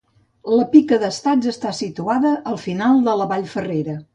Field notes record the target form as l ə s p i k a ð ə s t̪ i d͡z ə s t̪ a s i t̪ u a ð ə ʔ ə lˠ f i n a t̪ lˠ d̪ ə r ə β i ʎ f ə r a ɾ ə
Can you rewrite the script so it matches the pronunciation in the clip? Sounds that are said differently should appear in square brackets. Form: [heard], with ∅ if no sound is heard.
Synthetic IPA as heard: l ə [∅] p i k [ə] ð ə s t̪ [a] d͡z ə s t̪ a s i t̪ u a ð ə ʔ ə lˠ f i n a [∅] lˠ d̪ ə [l] ə β [a] ʎ f ə r [e] ɾ ə